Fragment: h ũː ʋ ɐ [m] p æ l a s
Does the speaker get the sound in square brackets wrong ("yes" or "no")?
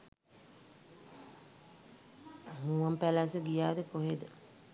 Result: no